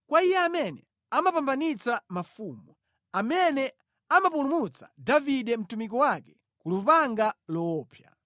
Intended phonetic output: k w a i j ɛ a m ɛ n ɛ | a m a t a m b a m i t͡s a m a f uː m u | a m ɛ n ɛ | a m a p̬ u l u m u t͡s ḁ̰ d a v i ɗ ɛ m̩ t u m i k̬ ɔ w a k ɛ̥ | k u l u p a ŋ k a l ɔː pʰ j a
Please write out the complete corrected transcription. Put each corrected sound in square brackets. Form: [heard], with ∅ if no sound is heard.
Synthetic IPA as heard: k w a i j ɛ a m ɛ n ɛ | a m a [p] a m b a [n] i t͡s a m a f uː m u | a m ɛ n ɛ | a m a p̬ u l u m u t͡s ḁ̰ d a v i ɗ ɛ m̩ t u m i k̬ ɔ w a k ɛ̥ | k u l u p a ŋ [ɡ] a l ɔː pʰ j a